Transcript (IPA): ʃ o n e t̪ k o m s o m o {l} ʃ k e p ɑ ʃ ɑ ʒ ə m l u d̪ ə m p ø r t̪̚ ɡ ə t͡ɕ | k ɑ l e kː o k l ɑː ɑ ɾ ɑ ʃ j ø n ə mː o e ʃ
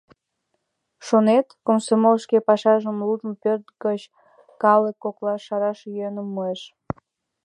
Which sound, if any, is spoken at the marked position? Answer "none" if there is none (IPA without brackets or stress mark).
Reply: l